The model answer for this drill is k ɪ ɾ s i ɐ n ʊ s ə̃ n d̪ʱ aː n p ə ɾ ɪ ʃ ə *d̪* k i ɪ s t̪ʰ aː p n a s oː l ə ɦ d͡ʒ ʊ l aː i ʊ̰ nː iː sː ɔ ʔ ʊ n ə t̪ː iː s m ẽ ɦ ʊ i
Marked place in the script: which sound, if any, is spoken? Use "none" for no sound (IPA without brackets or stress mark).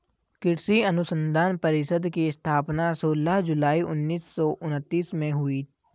d̪